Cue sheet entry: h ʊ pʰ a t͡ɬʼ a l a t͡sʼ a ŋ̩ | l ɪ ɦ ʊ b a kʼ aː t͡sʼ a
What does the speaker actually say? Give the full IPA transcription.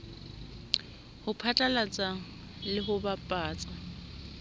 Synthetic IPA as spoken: h ʊ pʰ a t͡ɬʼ a l a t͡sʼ a ŋ̩ | l ɪ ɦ ʊ b a pʼ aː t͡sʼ a